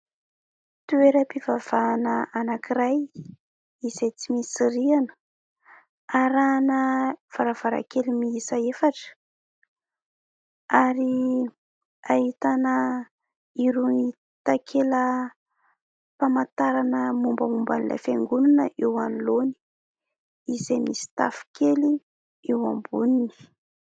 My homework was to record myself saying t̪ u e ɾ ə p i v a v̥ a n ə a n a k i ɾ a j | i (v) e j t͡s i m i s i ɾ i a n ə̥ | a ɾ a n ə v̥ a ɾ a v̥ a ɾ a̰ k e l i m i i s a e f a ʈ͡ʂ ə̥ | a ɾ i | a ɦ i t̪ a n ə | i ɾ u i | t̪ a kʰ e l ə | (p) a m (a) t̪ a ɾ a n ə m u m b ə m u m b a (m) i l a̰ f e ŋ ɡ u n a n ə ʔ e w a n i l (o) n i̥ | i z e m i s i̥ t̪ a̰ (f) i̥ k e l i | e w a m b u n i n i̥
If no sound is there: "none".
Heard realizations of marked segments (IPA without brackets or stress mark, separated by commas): z, p, a, n, o, f